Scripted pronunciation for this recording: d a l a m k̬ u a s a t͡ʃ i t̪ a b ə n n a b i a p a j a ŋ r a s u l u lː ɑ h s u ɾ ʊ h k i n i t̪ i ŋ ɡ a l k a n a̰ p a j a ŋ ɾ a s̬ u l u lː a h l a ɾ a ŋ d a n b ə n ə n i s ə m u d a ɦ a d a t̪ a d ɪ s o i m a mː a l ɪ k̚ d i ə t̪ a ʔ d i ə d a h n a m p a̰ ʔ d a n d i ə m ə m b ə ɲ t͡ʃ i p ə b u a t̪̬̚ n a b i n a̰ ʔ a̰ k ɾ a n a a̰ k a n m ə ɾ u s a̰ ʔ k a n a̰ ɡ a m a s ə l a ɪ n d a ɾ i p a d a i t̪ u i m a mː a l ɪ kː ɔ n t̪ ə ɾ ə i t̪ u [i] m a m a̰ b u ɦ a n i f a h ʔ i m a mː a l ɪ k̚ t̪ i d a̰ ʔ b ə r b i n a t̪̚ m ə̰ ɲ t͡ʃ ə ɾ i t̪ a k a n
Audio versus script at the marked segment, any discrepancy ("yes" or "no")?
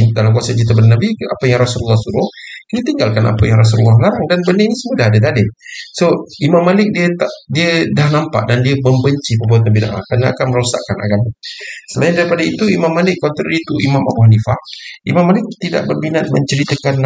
no